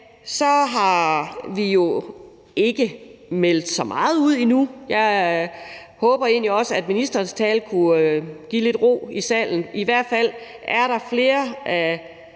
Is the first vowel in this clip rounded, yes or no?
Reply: yes